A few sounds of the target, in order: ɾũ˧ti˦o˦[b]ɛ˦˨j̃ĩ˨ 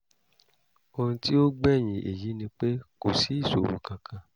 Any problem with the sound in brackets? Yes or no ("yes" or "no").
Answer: yes